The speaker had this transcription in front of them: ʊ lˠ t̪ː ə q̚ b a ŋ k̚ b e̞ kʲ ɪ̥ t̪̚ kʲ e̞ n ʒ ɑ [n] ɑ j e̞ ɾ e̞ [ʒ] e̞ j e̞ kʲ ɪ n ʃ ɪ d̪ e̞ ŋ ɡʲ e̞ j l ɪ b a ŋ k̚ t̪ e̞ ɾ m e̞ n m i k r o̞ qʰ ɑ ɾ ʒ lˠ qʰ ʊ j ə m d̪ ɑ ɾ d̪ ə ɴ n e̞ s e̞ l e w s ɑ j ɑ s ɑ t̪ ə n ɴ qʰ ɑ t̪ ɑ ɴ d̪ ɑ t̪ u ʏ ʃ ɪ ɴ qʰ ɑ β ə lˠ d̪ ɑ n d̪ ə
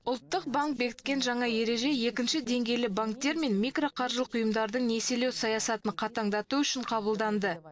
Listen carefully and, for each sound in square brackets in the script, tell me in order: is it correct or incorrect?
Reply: incorrect: ɴ, correct

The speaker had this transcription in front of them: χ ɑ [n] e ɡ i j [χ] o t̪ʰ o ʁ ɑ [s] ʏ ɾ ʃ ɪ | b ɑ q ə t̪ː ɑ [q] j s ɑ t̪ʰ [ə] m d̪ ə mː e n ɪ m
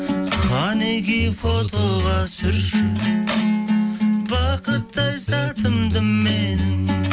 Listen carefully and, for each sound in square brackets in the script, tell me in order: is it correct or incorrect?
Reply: correct, incorrect: f, correct, incorrect: none, correct

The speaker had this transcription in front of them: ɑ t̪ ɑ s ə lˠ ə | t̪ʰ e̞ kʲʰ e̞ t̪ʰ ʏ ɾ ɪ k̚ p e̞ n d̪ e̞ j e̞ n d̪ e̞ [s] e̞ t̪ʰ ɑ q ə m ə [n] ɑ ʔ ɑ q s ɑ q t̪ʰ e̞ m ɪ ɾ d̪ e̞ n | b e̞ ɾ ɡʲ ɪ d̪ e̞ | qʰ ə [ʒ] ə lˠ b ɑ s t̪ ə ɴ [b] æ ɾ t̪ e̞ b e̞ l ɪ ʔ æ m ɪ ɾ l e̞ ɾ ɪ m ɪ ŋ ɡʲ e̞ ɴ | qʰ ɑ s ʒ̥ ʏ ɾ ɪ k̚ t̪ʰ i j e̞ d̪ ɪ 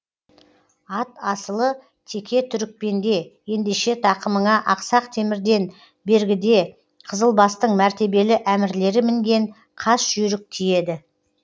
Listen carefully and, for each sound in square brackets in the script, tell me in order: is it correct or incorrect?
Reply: incorrect: ʃ, incorrect: ɴ, incorrect: z, incorrect: m

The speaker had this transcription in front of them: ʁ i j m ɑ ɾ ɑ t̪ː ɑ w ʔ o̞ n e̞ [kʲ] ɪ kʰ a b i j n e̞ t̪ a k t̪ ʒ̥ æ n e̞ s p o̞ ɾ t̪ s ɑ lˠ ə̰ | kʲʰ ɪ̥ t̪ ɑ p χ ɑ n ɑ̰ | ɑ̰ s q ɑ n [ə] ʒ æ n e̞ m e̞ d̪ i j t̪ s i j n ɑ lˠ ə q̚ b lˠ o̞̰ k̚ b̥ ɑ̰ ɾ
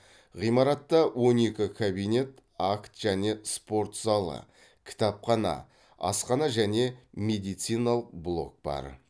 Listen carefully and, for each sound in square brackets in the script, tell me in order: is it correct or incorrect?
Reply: correct, incorrect: ɑ

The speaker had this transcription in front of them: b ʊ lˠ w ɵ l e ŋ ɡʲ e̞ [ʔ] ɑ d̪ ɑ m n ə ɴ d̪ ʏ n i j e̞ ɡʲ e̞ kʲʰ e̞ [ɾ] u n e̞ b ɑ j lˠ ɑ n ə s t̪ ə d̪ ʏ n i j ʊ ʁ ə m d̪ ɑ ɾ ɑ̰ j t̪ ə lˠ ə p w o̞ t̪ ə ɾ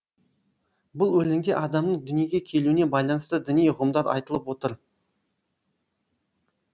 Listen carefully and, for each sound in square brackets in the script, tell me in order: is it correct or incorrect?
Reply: correct, incorrect: l

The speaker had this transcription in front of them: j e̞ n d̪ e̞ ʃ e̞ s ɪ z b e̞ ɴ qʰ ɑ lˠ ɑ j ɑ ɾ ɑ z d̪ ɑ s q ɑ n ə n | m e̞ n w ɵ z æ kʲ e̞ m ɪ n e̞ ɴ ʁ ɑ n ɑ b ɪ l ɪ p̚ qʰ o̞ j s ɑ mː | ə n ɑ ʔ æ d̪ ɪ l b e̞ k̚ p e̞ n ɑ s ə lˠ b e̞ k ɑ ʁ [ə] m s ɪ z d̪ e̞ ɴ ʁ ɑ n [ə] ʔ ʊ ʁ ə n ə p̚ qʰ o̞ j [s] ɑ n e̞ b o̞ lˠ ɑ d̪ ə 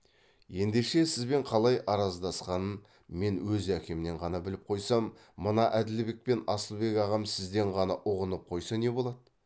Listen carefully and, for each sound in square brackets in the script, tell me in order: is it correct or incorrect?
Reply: incorrect: ɑ, incorrect: ɑ, correct

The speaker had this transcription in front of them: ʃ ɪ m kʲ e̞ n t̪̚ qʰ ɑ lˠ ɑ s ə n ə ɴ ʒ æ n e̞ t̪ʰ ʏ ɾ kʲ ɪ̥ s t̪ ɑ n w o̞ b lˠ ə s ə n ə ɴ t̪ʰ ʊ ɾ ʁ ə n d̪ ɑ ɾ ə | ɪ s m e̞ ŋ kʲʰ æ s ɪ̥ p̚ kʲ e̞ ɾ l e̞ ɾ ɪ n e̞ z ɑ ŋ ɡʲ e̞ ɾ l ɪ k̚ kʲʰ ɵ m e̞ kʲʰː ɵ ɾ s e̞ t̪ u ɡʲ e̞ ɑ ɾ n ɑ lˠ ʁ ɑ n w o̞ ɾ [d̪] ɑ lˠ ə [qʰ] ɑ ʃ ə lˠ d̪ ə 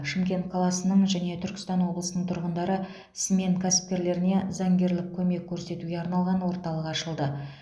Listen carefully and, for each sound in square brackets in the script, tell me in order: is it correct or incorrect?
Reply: incorrect: t̪, incorrect: q

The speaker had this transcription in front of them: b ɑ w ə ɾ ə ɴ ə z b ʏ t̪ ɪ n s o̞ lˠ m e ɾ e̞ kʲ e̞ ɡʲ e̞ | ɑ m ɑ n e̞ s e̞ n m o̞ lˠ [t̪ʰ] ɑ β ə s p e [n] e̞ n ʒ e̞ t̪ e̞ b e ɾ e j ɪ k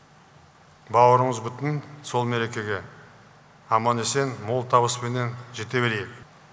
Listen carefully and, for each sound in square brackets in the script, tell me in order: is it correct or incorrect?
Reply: correct, correct

